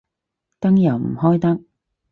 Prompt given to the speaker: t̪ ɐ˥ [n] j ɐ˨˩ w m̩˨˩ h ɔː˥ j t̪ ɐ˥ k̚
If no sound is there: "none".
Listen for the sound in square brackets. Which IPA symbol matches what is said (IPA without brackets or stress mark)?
ŋ